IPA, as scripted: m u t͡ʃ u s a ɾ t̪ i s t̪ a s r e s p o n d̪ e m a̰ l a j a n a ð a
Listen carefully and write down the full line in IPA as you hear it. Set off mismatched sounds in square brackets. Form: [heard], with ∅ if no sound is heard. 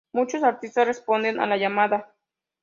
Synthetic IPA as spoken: m u t͡ʃ [o] s a ɾ t̪ i s t̪ a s r e s p o n d̪ e [n] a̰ l a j a [m] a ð a